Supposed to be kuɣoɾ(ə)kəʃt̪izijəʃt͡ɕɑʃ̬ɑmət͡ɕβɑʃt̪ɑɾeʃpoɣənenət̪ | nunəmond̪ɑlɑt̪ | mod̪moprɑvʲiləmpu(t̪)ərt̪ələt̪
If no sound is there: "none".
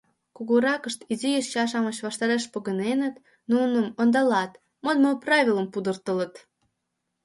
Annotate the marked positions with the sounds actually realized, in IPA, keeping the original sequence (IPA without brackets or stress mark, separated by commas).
ɑ, d̪